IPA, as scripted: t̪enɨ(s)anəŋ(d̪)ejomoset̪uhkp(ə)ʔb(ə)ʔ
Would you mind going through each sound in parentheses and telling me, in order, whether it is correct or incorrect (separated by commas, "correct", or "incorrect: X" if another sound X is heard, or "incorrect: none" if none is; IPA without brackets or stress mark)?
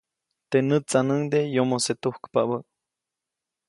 incorrect: t͡s, correct, incorrect: a, correct